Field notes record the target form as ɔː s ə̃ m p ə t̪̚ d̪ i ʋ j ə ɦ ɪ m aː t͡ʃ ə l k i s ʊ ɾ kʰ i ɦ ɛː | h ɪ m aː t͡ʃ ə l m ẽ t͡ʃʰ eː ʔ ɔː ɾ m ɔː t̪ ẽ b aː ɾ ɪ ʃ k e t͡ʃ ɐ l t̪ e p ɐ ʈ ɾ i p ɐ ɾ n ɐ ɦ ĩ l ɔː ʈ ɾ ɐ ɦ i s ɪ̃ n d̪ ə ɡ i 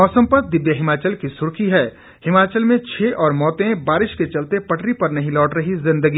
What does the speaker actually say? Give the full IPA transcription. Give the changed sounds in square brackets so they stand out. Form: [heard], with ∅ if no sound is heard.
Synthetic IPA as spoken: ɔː s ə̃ m p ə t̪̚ d̪ [ɪ] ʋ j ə ɦ ɪ m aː t͡ʃ ə l k i s ʊ ɾ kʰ i ɦ ɛː | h ɪ m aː t͡ʃ ə l m ẽ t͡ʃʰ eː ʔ ɔː ɾ m ɔː t̪ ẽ b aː ɾ ɪ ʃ k e t͡ʃ ɐ l t̪ e p ɐ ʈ ɾ i p ɐ ɾ n ɐ ɦ ĩ l ɔː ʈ ɾ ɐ ɦ i [z] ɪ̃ n d̪ ə ɡ i